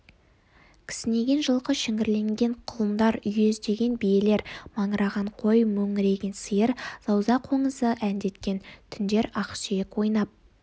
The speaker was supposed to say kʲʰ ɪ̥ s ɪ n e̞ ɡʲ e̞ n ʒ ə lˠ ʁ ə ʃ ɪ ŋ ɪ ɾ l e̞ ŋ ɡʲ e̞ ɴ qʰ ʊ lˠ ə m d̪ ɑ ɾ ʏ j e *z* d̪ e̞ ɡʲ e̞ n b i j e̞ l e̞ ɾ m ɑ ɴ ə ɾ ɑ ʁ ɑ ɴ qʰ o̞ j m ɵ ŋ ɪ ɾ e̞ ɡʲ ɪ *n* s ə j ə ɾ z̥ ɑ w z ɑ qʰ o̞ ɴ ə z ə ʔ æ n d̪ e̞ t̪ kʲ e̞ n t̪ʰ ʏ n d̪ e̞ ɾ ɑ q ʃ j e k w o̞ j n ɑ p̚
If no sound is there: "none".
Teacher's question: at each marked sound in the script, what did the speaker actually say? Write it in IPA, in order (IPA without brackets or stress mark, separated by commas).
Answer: z, n